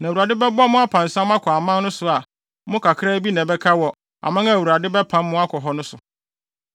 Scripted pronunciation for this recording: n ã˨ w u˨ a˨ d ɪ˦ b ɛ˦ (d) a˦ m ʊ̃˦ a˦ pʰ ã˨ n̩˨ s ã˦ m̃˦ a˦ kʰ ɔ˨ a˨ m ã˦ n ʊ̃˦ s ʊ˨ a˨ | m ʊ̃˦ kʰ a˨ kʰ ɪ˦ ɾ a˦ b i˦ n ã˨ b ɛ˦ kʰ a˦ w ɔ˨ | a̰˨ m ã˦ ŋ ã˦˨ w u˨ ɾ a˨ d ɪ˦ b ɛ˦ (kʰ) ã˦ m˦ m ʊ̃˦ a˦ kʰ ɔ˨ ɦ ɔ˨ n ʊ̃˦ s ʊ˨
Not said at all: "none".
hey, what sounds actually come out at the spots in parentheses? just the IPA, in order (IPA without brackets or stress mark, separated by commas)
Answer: b, pʰ